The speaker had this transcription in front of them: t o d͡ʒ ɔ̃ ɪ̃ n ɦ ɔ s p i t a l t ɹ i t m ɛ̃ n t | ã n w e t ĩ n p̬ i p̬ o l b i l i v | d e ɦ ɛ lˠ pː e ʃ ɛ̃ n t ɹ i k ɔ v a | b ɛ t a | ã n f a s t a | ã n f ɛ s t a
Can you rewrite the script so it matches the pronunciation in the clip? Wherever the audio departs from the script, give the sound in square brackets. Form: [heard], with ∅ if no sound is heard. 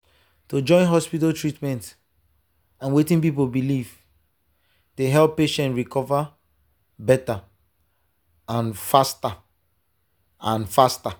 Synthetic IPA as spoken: t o d͡ʒ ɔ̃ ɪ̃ n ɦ ɔ s p i t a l t ɹ i t m ɛ̃ n t | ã n w e t ĩ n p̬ i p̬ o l b i l i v | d e ɦ ɛ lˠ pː e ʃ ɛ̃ n t ɹ i k ɔ v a | b ɛ t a | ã n f a s t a | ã n f [a] s t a

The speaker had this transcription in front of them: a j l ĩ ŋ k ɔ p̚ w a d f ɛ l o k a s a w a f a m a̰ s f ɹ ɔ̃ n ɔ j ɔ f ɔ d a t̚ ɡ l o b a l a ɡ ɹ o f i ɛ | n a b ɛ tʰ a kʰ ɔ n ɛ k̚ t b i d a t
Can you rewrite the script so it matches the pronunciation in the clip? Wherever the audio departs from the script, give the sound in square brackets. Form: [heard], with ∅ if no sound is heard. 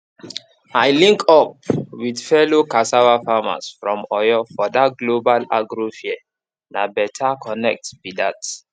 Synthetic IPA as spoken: a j l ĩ ŋ k ɔ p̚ w [i] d f ɛ l o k a s a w a f a m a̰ s f ɹ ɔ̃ [m] ɔ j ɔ f ɔ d a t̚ ɡ l o b a l a ɡ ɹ o f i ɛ | n a b ɛ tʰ a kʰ ɔ n ɛ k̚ t b i d a t

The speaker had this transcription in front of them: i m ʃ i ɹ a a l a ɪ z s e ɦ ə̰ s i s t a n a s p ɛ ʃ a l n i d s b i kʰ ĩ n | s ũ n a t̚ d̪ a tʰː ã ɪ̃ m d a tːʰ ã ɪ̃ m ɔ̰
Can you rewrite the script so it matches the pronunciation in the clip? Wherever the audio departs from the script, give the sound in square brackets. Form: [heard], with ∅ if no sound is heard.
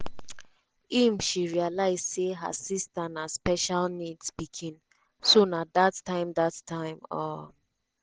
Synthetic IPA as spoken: i m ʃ i ɹ [i] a l a ɪ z s e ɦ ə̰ s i s t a n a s p ɛ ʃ a l n i d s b i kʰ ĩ n | s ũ n a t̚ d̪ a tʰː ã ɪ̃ m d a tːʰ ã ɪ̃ m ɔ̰

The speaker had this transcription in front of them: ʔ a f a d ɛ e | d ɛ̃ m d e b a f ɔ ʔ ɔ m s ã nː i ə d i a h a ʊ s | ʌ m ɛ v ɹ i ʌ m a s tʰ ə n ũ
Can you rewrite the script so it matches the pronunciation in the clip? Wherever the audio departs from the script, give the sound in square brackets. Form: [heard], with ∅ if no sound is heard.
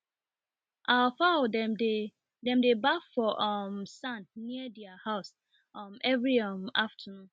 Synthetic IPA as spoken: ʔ a f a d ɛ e | d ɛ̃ m d e b a f ɔ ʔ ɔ m s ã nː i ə d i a h a ʊ s | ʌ m ɛ v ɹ i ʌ m a [f] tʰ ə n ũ

